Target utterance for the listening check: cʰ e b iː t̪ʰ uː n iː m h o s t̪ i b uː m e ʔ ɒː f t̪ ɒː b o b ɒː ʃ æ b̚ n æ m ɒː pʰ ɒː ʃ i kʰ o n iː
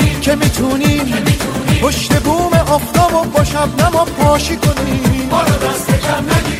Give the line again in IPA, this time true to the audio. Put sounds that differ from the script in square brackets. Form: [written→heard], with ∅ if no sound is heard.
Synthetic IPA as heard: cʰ e [b→m] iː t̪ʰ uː n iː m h o [s→ʃ] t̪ [i→e] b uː m e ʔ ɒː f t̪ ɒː b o b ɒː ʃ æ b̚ n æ m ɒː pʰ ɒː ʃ i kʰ o n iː